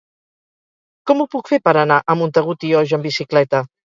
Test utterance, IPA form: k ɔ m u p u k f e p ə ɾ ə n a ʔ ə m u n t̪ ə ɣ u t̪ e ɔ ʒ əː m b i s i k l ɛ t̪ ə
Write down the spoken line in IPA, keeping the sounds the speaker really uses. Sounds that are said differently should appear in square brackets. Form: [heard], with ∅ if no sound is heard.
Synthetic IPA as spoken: k ɔ m u p u k f e p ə ɾ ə n a ʔ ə m u n t̪ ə ɣ u t̪ [i] ɔ ʒ [ə] m b i s i k l ɛ t̪ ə